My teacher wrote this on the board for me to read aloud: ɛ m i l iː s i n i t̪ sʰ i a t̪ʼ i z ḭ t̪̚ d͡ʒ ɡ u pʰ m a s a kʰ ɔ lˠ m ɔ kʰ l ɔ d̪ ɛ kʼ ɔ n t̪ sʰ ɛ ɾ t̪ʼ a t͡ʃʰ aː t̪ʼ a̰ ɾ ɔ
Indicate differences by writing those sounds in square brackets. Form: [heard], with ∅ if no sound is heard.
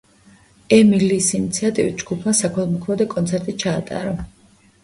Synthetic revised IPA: ɛ m i l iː s i n i t̪ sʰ i a t̪ʼ i [v] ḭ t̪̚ d͡ʒ ɡ u pʰ m a s a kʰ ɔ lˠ m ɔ kʰ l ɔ d̪ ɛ kʼ ɔ n t̪ sʰ ɛ ɾ t̪ʼ [i] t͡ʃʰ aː t̪ʼ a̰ ɾ ɔ